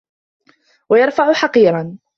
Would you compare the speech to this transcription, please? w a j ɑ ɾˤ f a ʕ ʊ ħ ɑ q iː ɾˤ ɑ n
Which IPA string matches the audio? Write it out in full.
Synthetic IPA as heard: w a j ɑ ɾˤ f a ʕ ʊ ħ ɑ q iː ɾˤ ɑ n